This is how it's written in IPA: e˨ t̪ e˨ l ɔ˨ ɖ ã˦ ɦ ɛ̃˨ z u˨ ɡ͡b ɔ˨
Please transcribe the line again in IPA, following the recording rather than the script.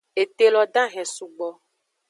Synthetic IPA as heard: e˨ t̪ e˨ l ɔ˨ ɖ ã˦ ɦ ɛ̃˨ s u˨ ɡ͡b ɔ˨